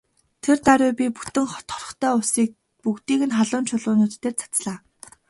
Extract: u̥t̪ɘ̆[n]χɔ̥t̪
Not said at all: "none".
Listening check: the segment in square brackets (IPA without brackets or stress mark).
ŋ